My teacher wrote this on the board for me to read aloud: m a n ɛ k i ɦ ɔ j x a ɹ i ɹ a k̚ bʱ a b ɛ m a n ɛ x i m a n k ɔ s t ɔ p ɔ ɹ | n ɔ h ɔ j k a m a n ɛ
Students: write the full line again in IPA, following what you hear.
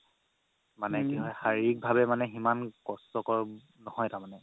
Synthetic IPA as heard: m a n ɛ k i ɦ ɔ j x a ɹ i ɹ i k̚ bʱ a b ɛ m a n ɛ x i m a n k ɔ s t ɔ k ɔ ɹ | n ɔ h ɔ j t a m a n ɛ